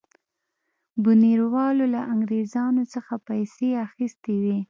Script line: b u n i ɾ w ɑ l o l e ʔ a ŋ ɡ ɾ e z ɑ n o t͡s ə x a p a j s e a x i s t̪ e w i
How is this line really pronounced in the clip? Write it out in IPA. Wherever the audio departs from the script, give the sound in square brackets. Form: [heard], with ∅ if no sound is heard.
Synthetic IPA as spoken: b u n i ɾ w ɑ l o l [a] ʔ a ŋ ɡ ɾ e z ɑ n o t͡s ə x a p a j s e a x i s t̪ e w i